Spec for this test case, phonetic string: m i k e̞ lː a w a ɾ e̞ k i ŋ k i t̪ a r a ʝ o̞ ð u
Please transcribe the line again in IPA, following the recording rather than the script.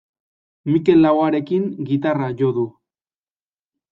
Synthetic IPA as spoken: m i k e̞ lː a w a ɾ e̞ k i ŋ ɡ i t̪ a r a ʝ o̞ ð u